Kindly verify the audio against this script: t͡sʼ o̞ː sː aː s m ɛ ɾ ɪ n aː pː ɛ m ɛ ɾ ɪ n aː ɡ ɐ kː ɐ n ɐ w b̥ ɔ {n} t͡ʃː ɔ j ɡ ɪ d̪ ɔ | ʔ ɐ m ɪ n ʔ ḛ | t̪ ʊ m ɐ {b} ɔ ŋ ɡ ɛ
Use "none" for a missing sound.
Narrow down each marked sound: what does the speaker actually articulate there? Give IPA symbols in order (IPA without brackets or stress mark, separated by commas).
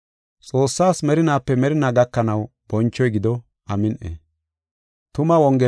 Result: n, w